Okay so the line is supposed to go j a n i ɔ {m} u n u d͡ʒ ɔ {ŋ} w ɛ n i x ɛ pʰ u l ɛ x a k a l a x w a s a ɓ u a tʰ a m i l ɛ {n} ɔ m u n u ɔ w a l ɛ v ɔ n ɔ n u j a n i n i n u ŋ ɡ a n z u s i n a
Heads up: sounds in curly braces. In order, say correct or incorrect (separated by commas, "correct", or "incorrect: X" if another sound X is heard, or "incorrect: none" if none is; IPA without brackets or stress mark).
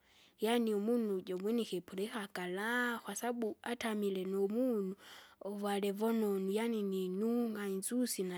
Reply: correct, incorrect: m, correct